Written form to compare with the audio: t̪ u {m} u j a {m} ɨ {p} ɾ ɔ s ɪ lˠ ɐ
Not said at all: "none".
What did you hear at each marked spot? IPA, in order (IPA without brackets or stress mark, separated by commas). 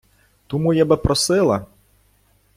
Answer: m, b, p